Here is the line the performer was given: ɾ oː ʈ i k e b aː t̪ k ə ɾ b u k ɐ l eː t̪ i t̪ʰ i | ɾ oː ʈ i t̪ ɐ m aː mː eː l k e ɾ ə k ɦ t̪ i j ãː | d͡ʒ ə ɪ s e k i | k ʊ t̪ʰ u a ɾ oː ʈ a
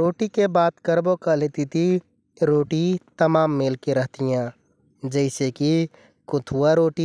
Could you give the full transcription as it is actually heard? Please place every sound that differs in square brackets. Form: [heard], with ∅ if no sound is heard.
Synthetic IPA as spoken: ɾ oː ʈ i k e b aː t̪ k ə ɾ b [o] k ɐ l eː t̪ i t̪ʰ i | ɾ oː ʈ i t̪ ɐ m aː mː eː l k e ɾ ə [∅] ɦ t̪ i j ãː | d͡ʒ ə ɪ s e k i | k ʊ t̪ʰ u a ɾ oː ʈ [i]